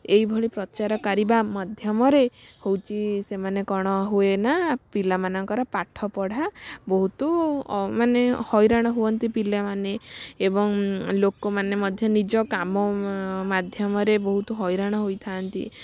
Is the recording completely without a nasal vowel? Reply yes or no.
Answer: yes